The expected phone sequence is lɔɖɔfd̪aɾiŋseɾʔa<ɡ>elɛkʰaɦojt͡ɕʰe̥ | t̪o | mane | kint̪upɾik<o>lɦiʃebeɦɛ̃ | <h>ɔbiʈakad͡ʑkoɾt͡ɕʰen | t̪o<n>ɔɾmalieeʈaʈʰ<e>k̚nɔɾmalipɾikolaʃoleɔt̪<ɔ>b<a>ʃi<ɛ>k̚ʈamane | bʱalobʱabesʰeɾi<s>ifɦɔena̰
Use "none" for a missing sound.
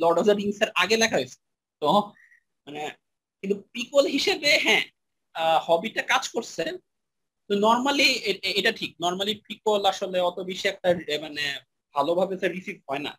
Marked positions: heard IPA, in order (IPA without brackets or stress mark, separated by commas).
ɡ, o, h, n, i, o, i, ɛ, s